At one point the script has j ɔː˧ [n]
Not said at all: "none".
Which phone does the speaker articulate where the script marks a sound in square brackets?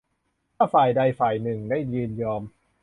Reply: m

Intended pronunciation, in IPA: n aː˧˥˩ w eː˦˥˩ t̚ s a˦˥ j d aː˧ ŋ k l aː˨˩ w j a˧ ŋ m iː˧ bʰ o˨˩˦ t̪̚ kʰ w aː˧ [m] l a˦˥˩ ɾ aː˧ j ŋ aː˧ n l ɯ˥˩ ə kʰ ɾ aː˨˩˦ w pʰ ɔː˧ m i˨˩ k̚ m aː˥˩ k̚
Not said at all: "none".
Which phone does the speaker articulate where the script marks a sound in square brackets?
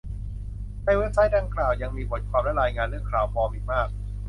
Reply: m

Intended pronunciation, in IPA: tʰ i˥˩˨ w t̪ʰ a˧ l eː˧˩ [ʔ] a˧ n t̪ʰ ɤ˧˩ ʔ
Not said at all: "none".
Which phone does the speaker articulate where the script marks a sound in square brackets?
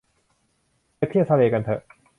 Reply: k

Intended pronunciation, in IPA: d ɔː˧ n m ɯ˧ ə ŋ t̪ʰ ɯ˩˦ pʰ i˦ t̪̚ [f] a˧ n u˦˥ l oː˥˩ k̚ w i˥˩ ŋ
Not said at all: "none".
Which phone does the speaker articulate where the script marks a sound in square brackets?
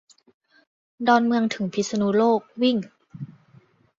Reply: s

